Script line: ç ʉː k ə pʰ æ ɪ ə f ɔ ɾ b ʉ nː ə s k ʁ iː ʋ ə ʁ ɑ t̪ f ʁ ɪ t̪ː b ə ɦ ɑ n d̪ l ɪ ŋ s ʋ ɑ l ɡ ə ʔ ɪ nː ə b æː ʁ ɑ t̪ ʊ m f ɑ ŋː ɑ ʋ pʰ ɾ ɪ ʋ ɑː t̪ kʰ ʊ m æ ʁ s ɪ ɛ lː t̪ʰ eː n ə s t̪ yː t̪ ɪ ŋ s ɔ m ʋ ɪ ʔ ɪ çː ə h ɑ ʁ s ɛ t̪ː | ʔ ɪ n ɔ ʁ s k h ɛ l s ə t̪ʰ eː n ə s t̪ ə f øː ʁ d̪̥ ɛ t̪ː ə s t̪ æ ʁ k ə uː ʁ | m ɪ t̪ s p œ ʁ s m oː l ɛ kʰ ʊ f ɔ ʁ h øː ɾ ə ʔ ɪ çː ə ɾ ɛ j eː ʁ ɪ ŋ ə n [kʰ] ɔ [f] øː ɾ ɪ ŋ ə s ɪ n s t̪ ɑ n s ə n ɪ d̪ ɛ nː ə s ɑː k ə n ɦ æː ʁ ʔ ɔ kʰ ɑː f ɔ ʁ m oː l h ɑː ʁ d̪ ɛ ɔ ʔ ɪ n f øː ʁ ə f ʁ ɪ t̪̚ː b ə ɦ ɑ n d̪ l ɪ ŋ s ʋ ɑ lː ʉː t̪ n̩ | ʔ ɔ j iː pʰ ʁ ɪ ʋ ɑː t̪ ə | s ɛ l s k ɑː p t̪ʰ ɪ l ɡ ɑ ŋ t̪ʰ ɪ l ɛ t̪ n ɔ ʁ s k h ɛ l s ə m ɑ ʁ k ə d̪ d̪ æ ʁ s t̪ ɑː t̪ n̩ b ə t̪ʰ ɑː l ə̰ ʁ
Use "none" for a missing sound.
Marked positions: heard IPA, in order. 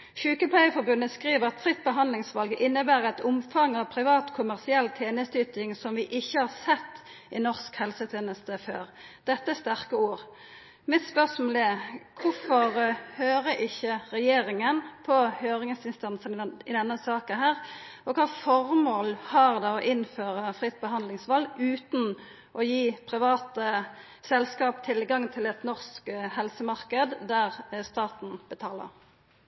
pʰ, h

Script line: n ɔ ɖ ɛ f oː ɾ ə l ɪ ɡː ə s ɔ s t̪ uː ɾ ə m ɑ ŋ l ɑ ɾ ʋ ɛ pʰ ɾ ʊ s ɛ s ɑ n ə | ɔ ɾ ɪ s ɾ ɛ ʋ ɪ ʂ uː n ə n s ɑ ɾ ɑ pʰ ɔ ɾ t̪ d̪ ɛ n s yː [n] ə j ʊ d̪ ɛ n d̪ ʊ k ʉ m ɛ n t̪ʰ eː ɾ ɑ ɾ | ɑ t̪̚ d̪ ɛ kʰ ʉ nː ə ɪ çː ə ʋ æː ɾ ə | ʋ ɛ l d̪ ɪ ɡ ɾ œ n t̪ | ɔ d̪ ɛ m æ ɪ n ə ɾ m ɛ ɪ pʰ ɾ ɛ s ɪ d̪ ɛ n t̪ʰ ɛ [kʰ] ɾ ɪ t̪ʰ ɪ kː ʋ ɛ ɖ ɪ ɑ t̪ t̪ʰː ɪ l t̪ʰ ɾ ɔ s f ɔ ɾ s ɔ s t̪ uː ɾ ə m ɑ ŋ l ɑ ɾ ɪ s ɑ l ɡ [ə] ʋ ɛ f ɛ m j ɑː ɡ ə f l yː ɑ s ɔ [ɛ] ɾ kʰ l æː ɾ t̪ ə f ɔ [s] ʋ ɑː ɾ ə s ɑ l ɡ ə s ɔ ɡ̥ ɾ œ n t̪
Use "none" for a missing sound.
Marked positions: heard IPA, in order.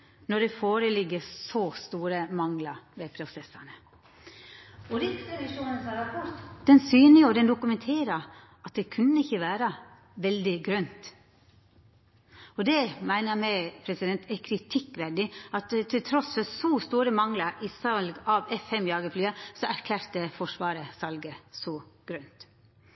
n, kʰ, ɑ, æ, ʂ

